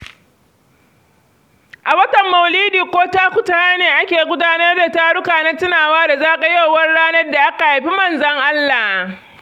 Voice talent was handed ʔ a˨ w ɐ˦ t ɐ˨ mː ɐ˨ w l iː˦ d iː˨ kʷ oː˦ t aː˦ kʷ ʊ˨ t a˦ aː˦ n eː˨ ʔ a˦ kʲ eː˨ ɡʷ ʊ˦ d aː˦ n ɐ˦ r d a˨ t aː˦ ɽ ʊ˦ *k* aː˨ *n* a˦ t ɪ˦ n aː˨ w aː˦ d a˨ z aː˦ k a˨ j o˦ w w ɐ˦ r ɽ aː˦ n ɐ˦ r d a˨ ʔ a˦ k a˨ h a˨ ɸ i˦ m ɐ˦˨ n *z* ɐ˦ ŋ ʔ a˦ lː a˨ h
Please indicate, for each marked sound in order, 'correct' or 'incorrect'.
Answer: correct, correct, correct

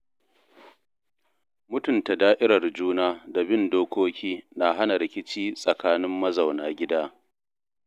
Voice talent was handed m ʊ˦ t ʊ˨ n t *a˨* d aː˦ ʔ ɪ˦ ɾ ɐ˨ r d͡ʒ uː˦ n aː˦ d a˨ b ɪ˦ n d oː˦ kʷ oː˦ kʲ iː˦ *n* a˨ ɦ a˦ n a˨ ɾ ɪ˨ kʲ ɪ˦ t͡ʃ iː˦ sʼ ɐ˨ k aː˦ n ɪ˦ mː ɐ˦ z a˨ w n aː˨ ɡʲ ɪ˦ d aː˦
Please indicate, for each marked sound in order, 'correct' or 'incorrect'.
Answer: correct, correct

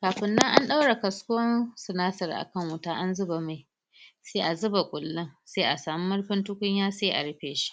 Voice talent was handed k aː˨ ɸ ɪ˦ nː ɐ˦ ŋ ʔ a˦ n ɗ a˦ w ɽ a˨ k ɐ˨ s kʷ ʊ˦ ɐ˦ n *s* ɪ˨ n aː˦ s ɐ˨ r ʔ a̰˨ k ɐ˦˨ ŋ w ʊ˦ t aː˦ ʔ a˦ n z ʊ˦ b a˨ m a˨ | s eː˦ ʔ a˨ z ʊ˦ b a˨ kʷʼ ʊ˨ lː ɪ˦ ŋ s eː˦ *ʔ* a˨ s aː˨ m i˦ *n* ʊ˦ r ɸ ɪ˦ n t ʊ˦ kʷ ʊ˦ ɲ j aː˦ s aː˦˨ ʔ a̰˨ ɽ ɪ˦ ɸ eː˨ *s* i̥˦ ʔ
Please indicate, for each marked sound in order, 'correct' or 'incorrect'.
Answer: correct, correct, incorrect, incorrect

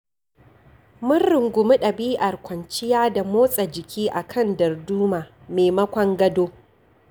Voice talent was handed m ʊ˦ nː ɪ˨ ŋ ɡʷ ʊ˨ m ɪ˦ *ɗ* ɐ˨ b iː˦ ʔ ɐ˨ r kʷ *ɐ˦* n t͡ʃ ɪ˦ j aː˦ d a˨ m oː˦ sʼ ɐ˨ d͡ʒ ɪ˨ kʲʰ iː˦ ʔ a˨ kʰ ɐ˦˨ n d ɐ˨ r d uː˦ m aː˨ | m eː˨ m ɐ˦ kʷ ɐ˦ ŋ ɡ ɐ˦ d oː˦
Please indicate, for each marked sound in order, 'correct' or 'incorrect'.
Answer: correct, incorrect

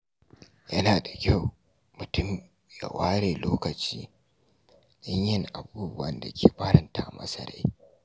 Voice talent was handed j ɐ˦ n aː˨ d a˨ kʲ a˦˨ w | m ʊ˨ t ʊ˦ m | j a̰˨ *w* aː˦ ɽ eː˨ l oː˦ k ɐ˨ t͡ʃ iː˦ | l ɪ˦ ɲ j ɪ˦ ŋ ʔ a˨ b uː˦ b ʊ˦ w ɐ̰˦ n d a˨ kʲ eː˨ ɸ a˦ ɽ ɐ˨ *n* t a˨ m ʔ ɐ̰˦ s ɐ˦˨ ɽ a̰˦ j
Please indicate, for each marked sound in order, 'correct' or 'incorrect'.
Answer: correct, correct

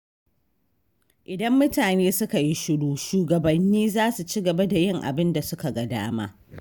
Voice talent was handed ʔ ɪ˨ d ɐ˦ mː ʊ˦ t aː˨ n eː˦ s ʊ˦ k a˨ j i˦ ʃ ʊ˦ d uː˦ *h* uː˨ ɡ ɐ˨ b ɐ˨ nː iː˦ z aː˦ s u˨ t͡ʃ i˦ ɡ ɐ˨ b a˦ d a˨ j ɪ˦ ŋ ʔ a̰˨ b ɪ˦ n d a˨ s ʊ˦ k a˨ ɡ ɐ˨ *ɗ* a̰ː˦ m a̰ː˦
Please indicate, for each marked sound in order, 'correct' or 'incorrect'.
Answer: incorrect, incorrect

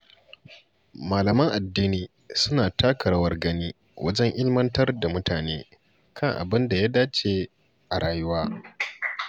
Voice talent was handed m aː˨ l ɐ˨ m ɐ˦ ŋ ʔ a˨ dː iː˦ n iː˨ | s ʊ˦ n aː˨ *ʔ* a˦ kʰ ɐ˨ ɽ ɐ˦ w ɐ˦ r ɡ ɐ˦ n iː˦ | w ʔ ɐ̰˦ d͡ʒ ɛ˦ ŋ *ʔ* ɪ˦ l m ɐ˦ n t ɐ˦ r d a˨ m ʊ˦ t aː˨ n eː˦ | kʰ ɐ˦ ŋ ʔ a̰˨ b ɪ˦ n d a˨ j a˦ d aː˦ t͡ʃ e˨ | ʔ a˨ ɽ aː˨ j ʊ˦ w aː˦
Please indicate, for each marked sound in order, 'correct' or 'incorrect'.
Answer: incorrect, correct

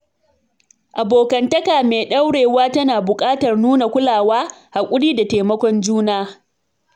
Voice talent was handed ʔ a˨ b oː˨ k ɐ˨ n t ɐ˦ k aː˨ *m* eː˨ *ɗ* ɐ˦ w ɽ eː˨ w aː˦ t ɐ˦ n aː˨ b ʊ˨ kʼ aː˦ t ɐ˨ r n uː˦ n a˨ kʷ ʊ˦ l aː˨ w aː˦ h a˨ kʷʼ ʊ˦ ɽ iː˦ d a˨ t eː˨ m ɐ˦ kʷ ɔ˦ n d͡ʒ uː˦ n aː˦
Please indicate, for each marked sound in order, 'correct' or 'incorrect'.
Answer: correct, correct

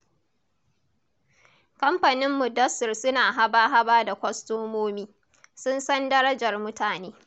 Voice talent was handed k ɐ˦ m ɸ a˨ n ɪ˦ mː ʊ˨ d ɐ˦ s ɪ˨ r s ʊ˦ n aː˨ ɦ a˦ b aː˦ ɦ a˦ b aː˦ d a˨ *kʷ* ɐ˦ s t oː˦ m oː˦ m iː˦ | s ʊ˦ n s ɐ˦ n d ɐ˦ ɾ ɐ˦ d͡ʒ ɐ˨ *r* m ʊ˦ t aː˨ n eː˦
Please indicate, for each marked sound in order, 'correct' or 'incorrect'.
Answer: correct, correct

